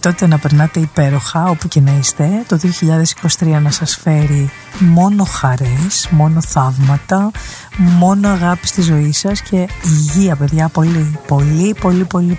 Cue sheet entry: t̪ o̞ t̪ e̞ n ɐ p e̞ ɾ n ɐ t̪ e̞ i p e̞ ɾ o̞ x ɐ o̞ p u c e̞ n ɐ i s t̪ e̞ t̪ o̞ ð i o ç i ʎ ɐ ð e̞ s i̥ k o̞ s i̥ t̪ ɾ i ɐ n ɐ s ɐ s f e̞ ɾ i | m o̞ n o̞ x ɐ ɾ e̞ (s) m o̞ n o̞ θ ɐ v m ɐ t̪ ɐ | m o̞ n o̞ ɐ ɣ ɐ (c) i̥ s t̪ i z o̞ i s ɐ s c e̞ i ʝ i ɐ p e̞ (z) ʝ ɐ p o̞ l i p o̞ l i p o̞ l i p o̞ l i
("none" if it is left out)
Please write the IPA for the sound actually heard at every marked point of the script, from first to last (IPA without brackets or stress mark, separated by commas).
s, p, ð